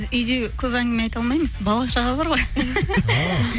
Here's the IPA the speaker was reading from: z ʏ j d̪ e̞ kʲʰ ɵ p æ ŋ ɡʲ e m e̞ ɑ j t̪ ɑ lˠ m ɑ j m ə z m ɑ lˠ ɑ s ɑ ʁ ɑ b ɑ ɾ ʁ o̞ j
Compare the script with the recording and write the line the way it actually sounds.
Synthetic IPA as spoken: z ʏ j d̪ e̞ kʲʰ ɵ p æ ŋ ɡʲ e m e̞ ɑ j t̪ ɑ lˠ m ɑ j m ə z b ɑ lˠ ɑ ʃ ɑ ʁ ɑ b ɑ ɾ ʁ o̞ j